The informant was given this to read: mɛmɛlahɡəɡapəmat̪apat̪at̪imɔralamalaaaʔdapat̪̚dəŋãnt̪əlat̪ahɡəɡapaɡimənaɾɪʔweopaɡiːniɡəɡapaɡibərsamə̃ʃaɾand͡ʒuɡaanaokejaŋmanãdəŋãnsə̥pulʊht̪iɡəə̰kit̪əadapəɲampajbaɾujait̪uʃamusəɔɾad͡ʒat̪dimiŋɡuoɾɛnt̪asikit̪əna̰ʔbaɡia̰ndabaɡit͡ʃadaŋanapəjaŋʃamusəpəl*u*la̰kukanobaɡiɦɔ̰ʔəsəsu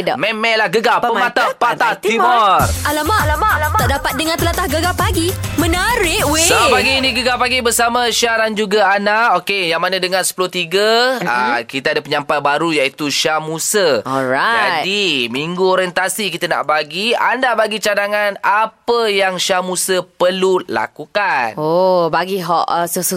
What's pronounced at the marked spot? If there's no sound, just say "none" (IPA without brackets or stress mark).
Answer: u